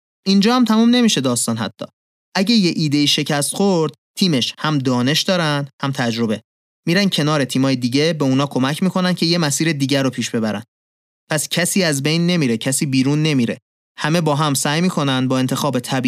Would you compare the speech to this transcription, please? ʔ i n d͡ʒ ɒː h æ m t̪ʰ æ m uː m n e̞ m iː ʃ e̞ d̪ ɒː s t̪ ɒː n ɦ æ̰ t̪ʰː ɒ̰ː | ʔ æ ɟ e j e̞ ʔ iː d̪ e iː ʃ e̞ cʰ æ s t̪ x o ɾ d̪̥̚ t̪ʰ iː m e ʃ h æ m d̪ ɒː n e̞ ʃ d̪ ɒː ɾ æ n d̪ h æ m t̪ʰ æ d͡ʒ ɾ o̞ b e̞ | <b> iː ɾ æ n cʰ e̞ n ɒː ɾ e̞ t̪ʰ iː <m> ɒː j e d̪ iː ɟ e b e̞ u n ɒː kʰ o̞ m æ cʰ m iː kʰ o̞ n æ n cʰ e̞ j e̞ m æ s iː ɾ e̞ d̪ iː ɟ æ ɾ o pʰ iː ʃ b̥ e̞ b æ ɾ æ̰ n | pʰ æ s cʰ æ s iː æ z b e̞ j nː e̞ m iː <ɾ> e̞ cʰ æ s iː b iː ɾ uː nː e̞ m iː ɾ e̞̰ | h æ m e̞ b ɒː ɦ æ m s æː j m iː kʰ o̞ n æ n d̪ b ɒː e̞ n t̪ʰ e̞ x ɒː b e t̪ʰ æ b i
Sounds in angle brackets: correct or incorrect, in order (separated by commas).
incorrect, correct, correct